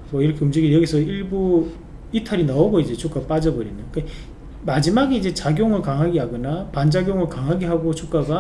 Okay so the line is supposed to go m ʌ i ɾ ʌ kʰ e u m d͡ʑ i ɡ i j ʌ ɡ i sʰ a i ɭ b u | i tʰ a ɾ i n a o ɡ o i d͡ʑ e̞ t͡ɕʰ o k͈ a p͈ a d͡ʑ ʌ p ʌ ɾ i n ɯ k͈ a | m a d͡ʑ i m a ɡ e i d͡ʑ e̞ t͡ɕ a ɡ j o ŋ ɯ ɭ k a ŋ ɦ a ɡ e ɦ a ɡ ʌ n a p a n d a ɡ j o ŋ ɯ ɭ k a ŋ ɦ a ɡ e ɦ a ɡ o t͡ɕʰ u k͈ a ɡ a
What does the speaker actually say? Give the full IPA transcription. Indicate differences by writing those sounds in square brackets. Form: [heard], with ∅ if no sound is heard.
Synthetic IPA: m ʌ i ɾ ʌ kʰ e u m d͡ʑ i ɡ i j ʌ ɡ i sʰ [ʌ] i ɭ b u | i tʰ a ɾ i n a o ɡ o i d͡ʑ e̞ t͡ɕʰ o k͈ a p͈ a d͡ʑ ʌ [b] ʌ ɾ i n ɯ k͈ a | m a d͡ʑ i m a ɡ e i d͡ʑ e̞ t͡ɕ a ɡ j o ŋ ɯ ɭ k a ŋ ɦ a ɡ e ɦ a ɡ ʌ n a p a n [d͡ʑ] a ɡ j o ŋ ɯ ɭ k a ŋ ɦ a ɡ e ɦ a ɡ o t͡ɕʰ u k͈ a ɡ a

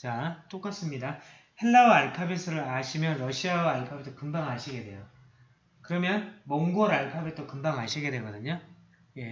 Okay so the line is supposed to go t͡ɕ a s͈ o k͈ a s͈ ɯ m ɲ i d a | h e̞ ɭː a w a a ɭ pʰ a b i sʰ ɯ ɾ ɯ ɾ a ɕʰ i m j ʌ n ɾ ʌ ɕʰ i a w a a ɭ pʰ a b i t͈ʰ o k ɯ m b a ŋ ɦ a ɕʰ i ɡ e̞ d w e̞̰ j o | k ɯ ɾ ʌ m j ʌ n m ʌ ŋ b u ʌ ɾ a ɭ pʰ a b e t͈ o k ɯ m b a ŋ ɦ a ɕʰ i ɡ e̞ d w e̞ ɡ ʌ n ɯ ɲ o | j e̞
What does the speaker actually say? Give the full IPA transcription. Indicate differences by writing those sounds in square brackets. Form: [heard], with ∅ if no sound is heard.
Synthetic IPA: t͡ɕ a [t͈] o k͈ a s͈ ɯ m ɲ i d a | h e̞ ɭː a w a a ɭ pʰ a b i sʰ ɯ ɾ ɯ ɾ a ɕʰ i m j ʌ n ɾ ʌ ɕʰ i a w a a ɭ pʰ a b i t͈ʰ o k ɯ m b a ŋ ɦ a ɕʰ i ɡ e̞ d w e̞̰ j o | k ɯ ɾ ʌ m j ʌ n m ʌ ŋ [ɡ] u ʌ ɾ a ɭ pʰ a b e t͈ o k ɯ m b a ŋ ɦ a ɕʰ i ɡ e̞ d w e̞ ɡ ʌ [d] ɯ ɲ o | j e̞

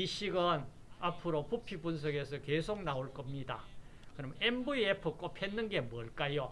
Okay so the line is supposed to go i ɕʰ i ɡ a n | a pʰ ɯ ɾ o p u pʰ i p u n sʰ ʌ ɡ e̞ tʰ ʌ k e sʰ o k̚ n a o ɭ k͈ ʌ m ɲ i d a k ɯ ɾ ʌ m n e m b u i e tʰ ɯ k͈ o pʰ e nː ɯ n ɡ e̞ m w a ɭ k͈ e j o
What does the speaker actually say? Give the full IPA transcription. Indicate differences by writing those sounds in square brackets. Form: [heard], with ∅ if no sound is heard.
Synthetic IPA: i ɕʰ i ɡ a n | a pʰ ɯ ɾ o p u pʰ i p u n sʰ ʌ ɡ e̞ [sʰ] ʌ k e sʰ o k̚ n a o ɭ k͈ ʌ m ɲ i d a k ɯ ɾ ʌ m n e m b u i e [pʰ] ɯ k͈ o pʰ e nː ɯ n ɡ e̞ m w [ʌ] ɭ k͈ [a] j o

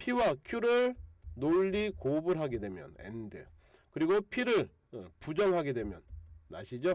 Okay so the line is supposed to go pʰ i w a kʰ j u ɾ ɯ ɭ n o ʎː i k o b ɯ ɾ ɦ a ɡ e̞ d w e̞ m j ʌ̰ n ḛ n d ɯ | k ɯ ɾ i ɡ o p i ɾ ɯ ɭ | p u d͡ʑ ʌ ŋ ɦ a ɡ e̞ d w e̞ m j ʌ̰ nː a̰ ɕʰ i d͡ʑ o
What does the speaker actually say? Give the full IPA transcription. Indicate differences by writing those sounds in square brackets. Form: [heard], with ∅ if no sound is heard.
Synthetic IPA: pʰ i w a kʰ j u ɾ ɯ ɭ n o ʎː i k o b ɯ ɾ ɦ a ɡ e̞ d w e̞ m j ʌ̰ n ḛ n d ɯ | k ɯ ɾ i ɡ o [pʰ] i ɾ ɯ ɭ | p u d͡ʑ ʌ ŋ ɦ a ɡ e̞ d w e̞ m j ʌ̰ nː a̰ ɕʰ i d͡ʑ o

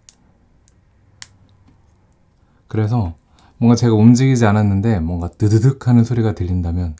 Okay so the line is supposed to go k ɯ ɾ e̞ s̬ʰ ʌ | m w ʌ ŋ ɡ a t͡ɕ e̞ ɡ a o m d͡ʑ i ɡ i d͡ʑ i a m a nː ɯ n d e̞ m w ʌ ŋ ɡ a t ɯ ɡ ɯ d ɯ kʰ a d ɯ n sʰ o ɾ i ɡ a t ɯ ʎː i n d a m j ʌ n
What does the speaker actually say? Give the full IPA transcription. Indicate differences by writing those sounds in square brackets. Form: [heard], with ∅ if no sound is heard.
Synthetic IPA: k ɯ ɾ e̞ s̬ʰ ʌ | m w ʌ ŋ ɡ a t͡ɕ e̞ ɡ a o m d͡ʑ i ɡ i d͡ʑ i a [n] a nː ɯ n d e̞ m w ʌ ŋ ɡ a t ɯ [d] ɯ d ɯ kʰ a [n] ɯ n sʰ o ɾ i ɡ a t ɯ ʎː i n d a m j ʌ n

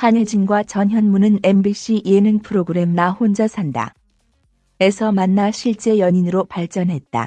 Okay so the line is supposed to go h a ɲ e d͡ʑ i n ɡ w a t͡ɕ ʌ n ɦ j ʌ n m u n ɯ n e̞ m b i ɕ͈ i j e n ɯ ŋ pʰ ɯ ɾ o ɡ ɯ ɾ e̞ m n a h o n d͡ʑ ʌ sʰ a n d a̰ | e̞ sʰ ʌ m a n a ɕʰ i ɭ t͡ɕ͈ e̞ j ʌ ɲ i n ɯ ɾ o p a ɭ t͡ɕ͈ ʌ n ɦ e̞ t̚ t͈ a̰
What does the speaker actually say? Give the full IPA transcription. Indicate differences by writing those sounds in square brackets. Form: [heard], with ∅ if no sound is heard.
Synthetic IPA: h a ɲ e d͡ʑ i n ɡ w a t͡ɕ ʌ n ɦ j ʌ n m u n ɯ n e̞ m b i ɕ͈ i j e n ɯ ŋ pʰ ɯ ɾ o ɡ ɯ ɾ e̞ m n a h o n d͡ʑ ʌ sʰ a n d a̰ | e̞ sʰ ʌ m a [nː] a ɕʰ i ɭ t͡ɕ͈ e̞ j ʌ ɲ i n ɯ ɾ o p a ɭ t͡ɕ͈ ʌ n ɦ e̞ t̚ t͈ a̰

